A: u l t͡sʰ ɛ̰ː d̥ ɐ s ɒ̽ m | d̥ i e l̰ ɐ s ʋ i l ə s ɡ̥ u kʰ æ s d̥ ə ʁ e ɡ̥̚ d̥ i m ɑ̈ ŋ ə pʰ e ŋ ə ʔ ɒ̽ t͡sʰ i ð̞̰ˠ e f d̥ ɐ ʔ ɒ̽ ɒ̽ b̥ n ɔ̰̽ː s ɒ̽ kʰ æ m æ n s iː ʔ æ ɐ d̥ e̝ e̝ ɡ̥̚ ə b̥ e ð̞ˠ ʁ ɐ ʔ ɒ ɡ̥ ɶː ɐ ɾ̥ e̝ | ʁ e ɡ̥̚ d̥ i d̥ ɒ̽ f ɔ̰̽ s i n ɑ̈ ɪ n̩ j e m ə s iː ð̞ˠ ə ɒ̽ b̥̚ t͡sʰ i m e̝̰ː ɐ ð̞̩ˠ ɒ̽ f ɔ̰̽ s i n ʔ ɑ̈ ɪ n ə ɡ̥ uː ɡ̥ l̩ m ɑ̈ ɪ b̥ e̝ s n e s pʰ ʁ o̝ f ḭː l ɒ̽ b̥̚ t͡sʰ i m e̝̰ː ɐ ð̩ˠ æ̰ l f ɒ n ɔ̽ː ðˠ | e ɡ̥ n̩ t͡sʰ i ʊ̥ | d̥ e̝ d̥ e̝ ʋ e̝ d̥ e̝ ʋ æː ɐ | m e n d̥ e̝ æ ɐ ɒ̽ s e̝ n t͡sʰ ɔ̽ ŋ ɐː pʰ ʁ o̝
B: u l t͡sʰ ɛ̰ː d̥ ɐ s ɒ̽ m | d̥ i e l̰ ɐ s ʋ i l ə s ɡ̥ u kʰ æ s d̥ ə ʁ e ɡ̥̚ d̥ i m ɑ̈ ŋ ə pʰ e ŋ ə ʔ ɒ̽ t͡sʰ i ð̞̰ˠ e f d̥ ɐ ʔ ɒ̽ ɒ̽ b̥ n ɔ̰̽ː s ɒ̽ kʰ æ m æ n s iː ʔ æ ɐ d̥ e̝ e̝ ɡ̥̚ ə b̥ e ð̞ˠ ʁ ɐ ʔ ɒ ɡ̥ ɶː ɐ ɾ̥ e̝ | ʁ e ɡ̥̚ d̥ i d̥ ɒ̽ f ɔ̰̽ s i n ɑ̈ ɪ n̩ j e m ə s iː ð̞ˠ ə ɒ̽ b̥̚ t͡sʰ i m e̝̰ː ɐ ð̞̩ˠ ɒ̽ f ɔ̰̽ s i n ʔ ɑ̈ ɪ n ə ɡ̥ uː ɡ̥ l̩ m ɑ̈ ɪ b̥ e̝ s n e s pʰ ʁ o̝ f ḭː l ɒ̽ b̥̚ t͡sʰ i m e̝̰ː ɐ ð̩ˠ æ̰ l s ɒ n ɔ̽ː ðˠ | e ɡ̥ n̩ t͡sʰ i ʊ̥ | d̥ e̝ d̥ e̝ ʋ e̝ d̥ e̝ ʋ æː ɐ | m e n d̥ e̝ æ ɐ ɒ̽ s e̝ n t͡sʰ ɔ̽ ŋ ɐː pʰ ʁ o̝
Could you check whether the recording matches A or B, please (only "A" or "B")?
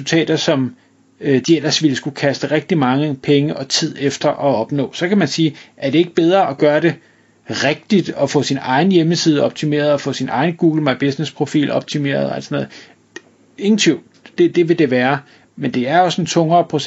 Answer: B